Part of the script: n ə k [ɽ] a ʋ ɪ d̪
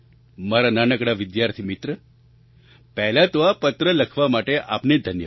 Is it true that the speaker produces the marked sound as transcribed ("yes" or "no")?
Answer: yes